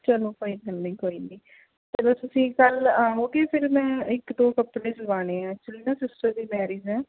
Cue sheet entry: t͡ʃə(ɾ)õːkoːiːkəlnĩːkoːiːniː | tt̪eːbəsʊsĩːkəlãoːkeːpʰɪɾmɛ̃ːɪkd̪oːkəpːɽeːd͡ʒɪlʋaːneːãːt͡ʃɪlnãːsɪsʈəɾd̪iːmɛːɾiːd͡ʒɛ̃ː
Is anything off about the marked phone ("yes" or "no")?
yes